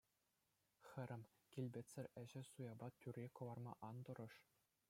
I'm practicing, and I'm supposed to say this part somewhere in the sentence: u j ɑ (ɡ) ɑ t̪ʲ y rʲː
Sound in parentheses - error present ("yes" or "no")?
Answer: yes